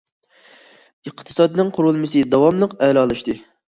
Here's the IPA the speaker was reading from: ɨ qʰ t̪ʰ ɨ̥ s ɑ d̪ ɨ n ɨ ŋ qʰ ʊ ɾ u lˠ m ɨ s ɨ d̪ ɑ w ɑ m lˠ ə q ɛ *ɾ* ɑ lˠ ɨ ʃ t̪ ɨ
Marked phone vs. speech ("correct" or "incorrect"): incorrect